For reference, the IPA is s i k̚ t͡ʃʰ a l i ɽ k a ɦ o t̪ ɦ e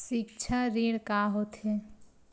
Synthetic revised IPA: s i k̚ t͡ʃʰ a ɾ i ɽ k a ɦ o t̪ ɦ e